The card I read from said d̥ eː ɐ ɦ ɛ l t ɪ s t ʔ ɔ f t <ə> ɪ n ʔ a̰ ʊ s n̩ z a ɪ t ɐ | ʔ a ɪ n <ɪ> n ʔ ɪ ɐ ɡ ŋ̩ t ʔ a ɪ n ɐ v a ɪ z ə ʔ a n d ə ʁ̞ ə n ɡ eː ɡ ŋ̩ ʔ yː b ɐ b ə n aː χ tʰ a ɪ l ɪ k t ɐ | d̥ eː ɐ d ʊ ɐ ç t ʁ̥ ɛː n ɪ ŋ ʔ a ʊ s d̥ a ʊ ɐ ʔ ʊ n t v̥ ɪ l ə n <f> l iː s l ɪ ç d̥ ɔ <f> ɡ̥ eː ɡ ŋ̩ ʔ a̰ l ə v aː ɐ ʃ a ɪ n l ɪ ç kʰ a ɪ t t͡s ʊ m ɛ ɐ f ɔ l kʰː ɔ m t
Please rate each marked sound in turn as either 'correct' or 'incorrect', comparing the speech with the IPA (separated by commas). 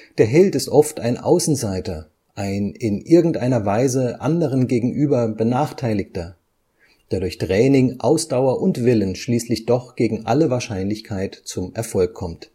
incorrect, correct, incorrect, incorrect